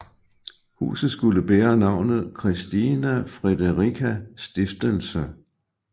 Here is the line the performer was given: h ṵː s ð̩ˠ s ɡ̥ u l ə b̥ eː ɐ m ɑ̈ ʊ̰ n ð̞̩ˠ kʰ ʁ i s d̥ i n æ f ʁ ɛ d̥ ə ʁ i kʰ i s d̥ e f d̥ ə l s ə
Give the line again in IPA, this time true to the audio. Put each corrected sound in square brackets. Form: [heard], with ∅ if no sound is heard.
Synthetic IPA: h ṵː s ð̩ˠ s ɡ̥ u l ə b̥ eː ɐ [n] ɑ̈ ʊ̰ n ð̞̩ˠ kʰ ʁ i s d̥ i n æ f ʁ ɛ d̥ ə ʁ i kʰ [æ] s d̥ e f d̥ ə l s ə

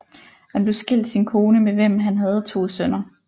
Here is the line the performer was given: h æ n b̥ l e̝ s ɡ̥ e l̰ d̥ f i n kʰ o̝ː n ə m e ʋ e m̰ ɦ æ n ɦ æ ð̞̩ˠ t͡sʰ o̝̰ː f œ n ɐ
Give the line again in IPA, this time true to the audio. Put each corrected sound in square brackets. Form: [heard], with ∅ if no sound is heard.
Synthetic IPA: h æ n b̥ l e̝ s ɡ̥ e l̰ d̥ [s] i n kʰ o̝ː n ə m e ʋ e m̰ ɦ æ n ɦ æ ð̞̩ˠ t͡sʰ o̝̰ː [s] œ n ɐ

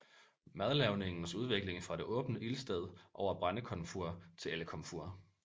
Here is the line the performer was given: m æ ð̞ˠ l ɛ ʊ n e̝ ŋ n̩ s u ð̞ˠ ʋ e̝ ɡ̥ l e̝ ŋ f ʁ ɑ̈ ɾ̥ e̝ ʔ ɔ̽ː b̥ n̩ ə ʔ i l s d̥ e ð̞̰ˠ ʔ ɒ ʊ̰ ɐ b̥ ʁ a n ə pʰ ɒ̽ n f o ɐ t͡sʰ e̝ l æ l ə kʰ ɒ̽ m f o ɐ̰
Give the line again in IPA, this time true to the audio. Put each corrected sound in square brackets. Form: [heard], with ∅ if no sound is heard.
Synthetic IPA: m æ ð̞ˠ l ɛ ʊ n e̝ ŋ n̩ s u ð̞ˠ ʋ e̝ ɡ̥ l e̝ ŋ f ʁ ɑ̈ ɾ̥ e̝ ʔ ɔ̽ː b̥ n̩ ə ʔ i l s d̥ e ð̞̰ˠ ʔ ɒ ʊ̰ ɐ b̥ ʁ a n ə [kʰ] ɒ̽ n f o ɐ t͡sʰ e̝ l [e] l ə kʰ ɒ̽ m f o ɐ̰

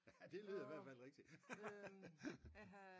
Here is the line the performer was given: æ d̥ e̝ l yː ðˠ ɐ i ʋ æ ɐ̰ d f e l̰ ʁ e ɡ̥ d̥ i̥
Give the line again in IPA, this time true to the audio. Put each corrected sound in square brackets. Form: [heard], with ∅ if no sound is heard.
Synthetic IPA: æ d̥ e̝ l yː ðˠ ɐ i ʋ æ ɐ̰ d f [æ] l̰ ʁ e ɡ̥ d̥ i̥

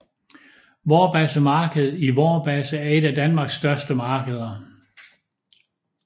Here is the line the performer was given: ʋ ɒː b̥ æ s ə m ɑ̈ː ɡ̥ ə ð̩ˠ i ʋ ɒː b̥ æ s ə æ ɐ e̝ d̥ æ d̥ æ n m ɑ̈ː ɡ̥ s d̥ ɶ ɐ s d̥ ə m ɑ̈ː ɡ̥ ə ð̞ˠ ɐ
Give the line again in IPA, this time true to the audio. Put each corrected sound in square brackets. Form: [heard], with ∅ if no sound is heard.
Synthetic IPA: ʋ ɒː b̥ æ s ə m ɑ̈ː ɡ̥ ə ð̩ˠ i ʋ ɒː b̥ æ s ə æ ɐ e̝ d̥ æ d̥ æ n m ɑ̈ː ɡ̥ s d̥ ɶ ɐ s d̥ ə m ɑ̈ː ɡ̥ ə ð̞ˠ ɐ

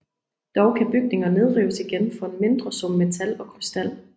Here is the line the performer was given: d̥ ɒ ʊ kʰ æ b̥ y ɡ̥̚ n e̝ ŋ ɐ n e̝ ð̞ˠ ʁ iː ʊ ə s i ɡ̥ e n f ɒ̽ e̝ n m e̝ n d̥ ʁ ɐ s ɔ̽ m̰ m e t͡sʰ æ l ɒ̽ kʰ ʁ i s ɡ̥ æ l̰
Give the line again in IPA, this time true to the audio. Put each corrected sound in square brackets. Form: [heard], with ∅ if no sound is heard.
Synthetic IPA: d̥ ɒ ʊ kʰ æ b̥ y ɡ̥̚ n e̝ ŋ ɐ n e̝ ð̞ˠ ʁ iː ʊ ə s i ɡ̥ e n f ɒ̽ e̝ n m e̝ n d̥ ʁ ɐ s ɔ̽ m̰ m e t͡sʰ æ l ɒ̽ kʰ ʁ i s [d̥] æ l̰

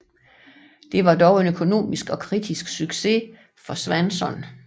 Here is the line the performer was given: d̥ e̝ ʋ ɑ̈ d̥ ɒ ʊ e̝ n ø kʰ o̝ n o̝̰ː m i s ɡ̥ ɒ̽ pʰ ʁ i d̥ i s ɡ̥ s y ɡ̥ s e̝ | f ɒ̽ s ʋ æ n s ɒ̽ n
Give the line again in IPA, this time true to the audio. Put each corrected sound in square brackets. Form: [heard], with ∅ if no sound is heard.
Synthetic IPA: d̥ e̝ ʋ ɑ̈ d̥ ɒ ʊ e̝ n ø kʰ o̝ n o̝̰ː m i s ɡ̥ ɒ̽ [kʰ] ʁ i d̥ i s ɡ̥ s y ɡ̥ s e̝ | f ɒ̽ s ʋ æ n s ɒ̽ n

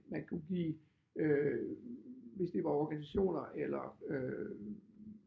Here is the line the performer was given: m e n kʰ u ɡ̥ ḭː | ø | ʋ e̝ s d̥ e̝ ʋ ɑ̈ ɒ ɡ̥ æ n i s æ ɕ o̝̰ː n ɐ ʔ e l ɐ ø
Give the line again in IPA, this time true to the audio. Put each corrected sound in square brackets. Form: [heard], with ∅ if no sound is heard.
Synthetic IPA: m [æ] n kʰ u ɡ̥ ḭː | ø | ʋ e̝ s d̥ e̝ ʋ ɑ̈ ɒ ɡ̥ æ n i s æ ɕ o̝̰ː n ɐ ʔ e l ɐ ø

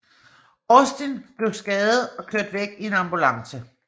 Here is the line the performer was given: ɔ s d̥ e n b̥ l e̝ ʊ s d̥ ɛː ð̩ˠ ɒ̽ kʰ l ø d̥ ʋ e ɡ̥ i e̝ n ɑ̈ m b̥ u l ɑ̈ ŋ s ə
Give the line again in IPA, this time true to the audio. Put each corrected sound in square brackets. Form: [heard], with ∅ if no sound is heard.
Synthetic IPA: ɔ s d̥ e n b̥ l e̝ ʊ s [ɡ̥] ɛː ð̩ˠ ɒ̽ kʰ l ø d̥ ʋ e ɡ̥ i e̝ n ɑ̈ m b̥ u l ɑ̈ ŋ s ə

